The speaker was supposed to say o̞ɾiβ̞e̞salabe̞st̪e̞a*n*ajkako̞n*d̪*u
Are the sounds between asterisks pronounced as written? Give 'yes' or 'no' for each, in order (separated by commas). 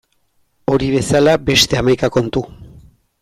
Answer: no, no